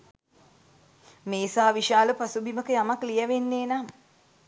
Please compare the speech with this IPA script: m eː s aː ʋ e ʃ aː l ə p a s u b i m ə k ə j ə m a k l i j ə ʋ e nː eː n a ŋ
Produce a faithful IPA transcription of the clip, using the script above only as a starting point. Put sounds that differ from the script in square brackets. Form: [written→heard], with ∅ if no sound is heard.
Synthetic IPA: m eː s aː ʋ [e→i] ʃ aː l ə p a s u b i m ə k ə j [ə→a] m a k l i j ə ʋ e nː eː n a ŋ